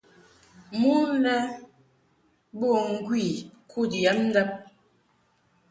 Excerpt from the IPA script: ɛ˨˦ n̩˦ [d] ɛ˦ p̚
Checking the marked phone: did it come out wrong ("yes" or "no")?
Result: no